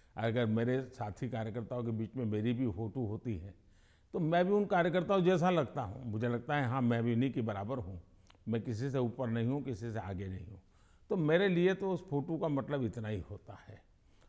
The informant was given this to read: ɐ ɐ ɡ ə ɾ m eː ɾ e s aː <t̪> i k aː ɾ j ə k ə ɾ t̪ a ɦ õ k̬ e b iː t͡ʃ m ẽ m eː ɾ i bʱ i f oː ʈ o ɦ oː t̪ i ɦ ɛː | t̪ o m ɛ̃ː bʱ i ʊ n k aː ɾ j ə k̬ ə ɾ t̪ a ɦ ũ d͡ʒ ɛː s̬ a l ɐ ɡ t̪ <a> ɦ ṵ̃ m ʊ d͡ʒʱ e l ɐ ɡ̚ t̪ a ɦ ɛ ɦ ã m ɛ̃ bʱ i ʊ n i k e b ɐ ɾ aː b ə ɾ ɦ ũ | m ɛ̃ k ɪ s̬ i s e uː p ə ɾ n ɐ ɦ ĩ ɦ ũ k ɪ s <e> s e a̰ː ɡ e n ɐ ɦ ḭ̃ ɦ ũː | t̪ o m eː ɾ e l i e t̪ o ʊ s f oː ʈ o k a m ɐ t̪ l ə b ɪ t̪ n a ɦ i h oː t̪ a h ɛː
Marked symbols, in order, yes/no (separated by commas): no, yes, no